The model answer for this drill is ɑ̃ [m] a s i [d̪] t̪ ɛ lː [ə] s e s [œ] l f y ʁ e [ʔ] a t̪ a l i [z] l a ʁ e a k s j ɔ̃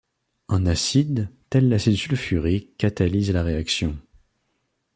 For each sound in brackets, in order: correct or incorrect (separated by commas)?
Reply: incorrect, correct, incorrect, incorrect, incorrect, correct